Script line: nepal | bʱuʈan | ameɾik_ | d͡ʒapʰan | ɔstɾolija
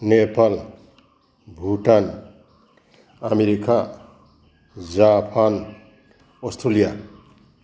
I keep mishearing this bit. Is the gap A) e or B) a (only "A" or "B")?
B